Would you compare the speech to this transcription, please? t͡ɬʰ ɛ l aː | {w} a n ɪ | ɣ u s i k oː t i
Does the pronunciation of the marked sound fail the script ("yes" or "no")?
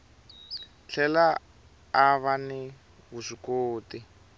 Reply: yes